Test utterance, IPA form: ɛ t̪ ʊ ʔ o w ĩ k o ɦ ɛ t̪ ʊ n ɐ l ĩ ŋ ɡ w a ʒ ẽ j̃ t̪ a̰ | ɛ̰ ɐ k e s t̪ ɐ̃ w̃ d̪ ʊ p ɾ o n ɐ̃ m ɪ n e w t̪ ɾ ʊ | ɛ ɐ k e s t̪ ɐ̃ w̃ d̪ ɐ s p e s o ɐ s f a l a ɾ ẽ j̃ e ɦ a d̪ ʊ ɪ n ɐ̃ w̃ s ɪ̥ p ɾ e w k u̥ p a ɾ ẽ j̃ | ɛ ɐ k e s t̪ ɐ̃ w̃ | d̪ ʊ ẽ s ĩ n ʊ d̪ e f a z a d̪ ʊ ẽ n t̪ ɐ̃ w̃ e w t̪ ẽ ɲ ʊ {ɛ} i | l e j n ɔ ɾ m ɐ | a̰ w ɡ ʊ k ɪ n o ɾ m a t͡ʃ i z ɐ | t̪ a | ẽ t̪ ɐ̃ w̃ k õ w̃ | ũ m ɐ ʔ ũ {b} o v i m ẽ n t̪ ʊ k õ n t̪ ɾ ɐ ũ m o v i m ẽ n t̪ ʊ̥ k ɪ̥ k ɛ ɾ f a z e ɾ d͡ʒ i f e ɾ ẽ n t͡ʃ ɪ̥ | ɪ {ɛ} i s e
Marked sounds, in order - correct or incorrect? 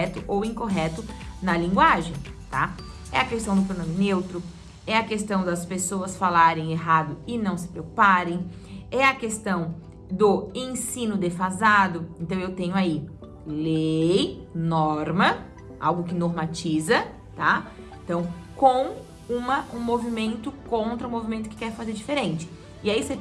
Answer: incorrect: a, incorrect: m, incorrect: a

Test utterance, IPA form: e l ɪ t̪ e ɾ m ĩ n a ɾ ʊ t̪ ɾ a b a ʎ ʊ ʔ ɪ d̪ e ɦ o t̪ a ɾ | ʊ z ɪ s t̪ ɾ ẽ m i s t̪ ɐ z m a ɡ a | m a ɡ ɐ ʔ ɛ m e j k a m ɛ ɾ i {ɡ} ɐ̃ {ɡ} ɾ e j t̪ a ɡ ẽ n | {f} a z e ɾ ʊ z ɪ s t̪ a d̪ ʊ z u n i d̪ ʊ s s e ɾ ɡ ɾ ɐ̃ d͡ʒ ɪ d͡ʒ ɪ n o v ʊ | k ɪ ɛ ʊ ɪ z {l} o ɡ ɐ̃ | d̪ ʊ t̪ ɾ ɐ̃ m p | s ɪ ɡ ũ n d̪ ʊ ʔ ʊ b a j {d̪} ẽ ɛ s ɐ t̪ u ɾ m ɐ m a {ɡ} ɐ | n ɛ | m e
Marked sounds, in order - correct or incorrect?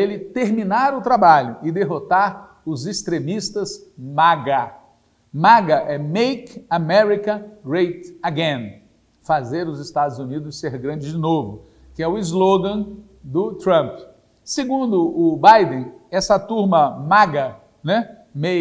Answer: incorrect: k, correct, correct, correct, correct, correct

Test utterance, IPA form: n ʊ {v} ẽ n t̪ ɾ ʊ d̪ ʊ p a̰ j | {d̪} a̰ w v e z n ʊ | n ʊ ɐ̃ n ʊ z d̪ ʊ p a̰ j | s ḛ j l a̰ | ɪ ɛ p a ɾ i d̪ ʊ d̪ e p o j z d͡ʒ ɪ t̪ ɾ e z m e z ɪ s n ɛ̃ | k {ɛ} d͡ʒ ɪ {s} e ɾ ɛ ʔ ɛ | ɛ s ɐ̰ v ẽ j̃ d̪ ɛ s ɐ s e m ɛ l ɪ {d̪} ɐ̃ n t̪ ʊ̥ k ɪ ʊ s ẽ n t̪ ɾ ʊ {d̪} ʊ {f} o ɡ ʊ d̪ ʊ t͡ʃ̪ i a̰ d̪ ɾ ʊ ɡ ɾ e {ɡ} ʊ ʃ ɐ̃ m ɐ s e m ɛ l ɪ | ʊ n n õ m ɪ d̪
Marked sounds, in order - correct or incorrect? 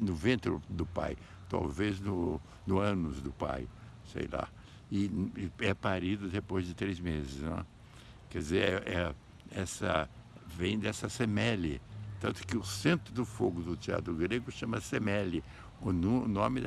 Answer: correct, incorrect: t̪, correct, incorrect: z, incorrect: t̪, correct, correct, correct

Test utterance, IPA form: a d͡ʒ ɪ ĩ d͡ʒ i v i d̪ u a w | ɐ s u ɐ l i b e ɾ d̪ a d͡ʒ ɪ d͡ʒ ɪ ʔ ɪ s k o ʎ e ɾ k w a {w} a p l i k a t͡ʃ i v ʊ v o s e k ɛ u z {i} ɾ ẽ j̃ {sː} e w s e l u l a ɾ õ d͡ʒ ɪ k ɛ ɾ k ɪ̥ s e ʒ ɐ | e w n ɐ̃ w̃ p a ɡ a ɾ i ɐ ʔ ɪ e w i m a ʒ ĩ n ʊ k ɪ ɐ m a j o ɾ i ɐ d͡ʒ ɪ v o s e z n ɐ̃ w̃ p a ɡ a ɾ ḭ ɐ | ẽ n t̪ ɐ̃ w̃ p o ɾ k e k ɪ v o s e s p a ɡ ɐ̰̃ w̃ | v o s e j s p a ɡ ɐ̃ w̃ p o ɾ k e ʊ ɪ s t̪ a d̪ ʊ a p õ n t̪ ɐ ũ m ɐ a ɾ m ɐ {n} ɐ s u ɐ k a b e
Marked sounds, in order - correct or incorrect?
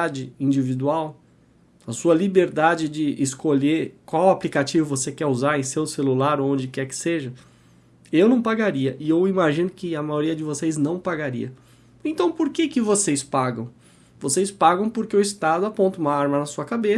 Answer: correct, incorrect: a, incorrect: s, correct

